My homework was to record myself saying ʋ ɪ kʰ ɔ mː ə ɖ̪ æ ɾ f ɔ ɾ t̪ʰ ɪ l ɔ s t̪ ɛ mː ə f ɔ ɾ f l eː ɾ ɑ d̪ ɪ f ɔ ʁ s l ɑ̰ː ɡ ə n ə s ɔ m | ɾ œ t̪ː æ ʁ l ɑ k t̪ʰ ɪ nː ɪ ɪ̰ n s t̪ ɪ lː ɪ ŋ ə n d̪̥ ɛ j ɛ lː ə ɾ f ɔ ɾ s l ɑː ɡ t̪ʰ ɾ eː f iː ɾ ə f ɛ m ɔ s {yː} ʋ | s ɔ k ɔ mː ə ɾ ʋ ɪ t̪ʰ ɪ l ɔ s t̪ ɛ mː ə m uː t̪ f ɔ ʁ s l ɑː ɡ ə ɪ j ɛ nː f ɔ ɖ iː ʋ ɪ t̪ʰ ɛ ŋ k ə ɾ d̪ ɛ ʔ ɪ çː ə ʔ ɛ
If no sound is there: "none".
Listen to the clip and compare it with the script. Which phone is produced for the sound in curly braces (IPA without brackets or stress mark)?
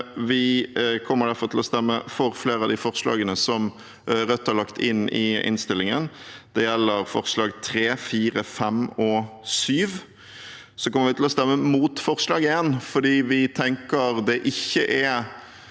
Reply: yː